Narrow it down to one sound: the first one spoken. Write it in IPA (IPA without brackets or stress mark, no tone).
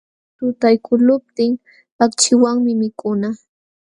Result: t̪